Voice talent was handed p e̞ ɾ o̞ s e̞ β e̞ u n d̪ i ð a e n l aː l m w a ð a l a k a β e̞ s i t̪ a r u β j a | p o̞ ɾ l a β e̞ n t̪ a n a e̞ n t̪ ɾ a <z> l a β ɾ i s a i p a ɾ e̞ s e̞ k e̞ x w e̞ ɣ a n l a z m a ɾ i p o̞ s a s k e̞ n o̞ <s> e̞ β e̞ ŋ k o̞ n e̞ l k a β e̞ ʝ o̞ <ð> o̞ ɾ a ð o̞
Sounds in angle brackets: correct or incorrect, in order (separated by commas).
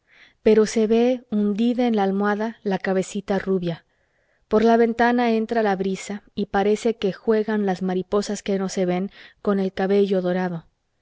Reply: incorrect, correct, correct